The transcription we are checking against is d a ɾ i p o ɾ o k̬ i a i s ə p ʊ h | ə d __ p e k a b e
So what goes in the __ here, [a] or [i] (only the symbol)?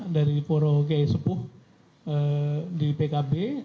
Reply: i